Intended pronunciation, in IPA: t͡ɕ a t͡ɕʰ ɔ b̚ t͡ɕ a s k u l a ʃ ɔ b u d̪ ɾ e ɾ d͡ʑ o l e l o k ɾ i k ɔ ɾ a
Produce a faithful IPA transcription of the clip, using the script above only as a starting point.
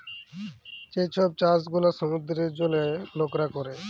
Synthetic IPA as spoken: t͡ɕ e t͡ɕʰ ɔ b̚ t͡ɕ a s ɡ u l a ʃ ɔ m u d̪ ɾ e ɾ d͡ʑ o l e l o k ɾ a k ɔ ɾ e

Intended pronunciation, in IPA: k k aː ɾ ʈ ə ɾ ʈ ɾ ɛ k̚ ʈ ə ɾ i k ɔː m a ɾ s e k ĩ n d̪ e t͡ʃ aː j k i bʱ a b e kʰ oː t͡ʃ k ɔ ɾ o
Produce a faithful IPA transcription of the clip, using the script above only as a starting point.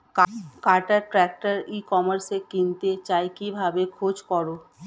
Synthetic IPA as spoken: k k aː ɾ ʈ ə ɾ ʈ ɾ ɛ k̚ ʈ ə ɾ i k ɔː m ə ɾ s e k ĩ n t̪ e t͡ʃ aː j k i bʱ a b e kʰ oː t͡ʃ k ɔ ɾ o

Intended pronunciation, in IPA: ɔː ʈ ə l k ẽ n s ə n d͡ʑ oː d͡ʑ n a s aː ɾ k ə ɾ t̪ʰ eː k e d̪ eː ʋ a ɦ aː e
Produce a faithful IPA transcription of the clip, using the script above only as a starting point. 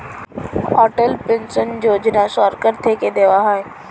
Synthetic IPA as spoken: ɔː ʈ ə l p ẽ n s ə n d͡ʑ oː d͡ʑ n a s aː ɾ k ə ɾ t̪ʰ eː k e d̪ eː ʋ a ɦ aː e

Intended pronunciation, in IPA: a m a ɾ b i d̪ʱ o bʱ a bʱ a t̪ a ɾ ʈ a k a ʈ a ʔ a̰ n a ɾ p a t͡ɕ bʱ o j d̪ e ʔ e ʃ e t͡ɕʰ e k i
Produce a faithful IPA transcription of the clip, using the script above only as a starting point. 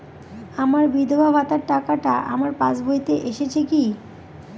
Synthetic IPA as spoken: a m a ɾ b i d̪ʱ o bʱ a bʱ a t̪ a ɾ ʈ a k a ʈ a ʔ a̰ m a ɾ p a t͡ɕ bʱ o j t̪ e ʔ e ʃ e t͡ɕʰ e k i

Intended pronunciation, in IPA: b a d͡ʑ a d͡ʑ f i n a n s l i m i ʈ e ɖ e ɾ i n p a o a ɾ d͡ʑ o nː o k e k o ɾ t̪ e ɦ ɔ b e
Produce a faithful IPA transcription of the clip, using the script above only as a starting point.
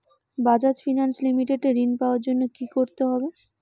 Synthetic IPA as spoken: b a d͡ʑ a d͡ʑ f i n a n s l i m i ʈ e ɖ e ɾ i n p a o a ɾ d͡ʑ o nː o k i k o ɾ t̪ e ɦ ɔ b e

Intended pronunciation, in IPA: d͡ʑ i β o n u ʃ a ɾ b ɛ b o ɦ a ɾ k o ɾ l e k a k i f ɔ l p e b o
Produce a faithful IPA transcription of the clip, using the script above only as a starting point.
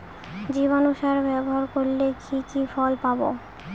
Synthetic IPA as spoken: d͡ʑ i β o n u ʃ a ɾ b ɛ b o ɦ a ɾ k o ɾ l e k i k i f ɔ l p a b o

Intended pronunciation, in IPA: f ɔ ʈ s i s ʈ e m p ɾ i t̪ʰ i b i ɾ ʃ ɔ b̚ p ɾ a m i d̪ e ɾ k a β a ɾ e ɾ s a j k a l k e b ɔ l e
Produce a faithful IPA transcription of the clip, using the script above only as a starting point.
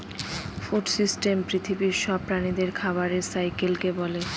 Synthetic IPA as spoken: f u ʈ s i s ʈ e m p ɾ i t̪ʰ i b i ɾ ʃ ɔ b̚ p ɾ a n i d̪ e ɾ kʰ a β a ɾ e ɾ s a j k e l k e b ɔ l e

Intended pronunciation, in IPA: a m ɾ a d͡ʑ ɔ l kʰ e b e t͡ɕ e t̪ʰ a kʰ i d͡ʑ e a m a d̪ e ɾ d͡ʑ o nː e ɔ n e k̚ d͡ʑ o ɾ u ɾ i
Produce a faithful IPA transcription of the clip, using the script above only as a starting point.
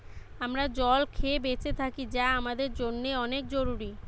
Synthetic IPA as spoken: a m ɾ a d͡ʑ ɔ l kʰ e b e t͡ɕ e t̪ʰ a k i d͡ʑ a a m a d̪ e ɾ d͡ʑ o nː e ɔ n e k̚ d͡ʑ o ɾ u ɾ i

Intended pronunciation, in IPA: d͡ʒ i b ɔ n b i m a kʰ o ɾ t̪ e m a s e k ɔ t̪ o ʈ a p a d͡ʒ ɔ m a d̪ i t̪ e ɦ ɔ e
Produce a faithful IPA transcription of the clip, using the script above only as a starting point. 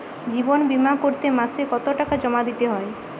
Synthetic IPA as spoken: d͡ʒ i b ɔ n b i m a k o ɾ t̪ e m a s e k ɔ t̪ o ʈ a k a d͡ʒ ɔ m a d̪ i t̪ e ɦ ɔ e

